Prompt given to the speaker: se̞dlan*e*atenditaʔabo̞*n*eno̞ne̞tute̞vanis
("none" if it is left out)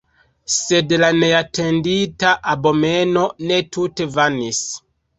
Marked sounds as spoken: e, m

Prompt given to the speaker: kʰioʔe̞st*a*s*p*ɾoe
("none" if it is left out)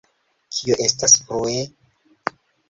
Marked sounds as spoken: a, p

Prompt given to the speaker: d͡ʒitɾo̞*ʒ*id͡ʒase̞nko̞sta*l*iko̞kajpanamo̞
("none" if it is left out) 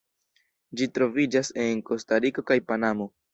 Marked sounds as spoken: v, ɾ

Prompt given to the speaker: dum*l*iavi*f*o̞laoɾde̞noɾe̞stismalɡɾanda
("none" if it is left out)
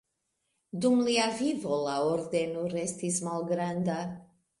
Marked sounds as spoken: l, v

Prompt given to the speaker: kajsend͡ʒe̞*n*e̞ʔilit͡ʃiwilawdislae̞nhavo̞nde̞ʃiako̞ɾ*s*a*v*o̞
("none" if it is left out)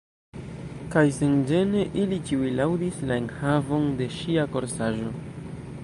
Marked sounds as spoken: n, s, ʒ

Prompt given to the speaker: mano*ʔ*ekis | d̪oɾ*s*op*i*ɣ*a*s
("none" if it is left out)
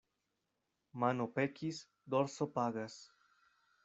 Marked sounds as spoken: p, s, a, a

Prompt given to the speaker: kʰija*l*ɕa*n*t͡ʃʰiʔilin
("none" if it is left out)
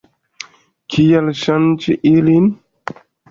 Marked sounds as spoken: l, n

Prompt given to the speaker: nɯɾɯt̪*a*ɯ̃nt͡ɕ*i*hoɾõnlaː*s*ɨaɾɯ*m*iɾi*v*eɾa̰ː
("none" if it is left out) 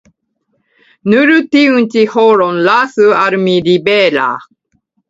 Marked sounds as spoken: i, i, s, m, b

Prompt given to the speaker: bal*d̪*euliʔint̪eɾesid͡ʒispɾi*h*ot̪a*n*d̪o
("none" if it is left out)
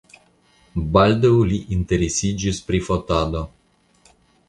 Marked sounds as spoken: d̪, f, none

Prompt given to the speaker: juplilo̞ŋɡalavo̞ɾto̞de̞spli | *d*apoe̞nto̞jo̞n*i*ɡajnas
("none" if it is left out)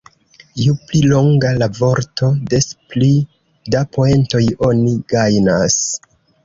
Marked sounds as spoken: d, i

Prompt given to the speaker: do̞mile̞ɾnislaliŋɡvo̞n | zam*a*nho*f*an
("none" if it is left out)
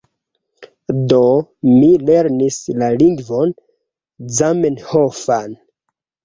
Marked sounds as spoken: e, f

